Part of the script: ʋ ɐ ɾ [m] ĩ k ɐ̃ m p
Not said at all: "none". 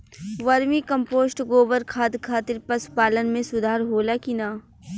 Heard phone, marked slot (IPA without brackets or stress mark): m